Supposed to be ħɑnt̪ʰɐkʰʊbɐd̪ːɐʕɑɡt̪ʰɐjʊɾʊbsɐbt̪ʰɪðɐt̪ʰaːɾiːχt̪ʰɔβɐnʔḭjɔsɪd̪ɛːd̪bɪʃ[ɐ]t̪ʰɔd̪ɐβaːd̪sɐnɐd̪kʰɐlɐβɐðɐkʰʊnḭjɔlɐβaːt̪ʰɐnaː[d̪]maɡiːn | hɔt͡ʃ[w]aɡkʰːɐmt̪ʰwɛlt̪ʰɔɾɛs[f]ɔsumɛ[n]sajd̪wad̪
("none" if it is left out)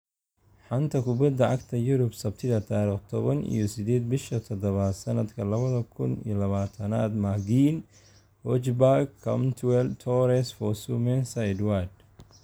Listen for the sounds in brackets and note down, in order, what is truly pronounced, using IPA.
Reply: ɐ, d̪, b, f, n

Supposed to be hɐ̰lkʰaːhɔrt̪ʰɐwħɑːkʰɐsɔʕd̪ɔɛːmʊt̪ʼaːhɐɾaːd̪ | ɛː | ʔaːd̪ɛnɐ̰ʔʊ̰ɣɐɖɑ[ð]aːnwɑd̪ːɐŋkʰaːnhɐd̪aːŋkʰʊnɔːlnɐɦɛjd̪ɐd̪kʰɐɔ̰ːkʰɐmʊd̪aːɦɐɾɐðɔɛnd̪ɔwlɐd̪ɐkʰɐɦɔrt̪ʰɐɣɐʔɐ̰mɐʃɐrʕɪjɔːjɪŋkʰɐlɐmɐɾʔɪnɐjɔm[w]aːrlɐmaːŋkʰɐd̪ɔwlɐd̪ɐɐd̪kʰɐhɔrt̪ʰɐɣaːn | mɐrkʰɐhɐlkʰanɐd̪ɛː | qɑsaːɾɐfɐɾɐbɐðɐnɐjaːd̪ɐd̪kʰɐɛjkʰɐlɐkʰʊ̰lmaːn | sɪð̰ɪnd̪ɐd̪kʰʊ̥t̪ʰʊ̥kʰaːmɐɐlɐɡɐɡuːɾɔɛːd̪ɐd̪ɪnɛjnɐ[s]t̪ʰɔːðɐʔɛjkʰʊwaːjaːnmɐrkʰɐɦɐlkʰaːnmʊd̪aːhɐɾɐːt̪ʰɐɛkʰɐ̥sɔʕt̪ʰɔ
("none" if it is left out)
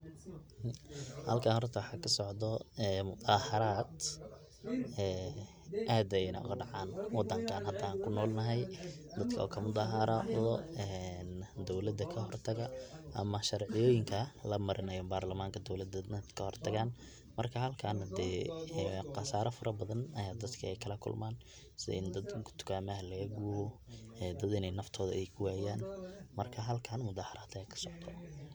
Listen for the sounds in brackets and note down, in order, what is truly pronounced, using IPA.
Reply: ʕ, b, f

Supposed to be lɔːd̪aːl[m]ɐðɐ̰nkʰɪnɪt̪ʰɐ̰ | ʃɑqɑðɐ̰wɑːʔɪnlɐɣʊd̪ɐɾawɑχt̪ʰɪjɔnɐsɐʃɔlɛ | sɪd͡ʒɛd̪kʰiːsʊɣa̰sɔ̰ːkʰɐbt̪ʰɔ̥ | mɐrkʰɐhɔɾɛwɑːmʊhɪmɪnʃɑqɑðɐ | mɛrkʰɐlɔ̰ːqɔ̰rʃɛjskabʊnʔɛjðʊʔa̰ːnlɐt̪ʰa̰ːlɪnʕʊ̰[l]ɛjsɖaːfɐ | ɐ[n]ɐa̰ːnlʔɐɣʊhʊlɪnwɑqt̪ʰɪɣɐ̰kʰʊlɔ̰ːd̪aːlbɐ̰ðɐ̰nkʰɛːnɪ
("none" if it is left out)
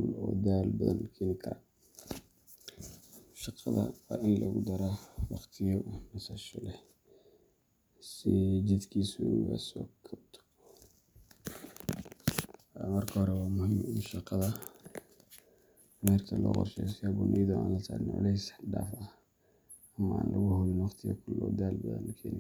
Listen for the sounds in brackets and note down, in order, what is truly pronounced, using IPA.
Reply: b, l, m

